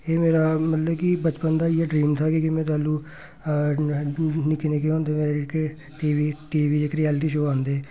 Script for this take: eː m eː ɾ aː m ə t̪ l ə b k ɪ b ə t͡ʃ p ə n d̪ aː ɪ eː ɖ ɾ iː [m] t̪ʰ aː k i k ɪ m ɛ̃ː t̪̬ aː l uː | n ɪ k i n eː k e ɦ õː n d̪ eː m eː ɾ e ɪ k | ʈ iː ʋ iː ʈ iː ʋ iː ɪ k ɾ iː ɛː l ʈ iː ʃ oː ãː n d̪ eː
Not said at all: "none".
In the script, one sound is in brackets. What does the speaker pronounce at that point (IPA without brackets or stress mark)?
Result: m